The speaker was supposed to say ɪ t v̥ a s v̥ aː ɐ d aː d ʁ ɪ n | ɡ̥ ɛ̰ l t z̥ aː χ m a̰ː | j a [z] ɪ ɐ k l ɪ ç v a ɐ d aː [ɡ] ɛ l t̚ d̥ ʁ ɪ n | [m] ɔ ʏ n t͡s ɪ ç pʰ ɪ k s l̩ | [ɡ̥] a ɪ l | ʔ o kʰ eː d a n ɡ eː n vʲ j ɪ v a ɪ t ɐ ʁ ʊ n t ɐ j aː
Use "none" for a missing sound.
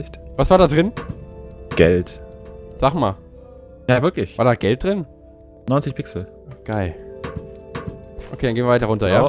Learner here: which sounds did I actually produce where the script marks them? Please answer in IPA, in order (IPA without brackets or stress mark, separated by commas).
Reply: v, ɡ, n, ɡ̥